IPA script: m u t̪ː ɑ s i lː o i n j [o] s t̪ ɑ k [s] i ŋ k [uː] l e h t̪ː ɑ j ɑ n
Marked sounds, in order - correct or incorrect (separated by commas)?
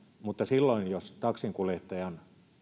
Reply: correct, correct, incorrect